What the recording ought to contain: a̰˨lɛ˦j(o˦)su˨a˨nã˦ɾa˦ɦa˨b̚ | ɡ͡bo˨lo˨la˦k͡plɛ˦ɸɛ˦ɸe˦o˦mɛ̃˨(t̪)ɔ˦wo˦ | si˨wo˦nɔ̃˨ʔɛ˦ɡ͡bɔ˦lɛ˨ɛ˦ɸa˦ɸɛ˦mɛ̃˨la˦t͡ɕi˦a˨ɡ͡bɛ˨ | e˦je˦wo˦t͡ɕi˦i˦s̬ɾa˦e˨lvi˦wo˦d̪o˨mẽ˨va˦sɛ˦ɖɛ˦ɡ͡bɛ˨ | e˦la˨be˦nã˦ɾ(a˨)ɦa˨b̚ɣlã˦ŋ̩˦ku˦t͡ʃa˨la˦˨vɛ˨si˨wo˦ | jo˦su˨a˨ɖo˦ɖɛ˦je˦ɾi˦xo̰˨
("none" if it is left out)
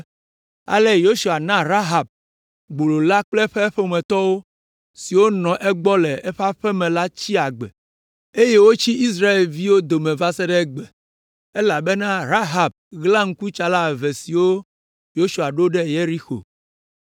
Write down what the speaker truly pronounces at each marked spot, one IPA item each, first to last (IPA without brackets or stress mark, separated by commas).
o˦, t̪, a˦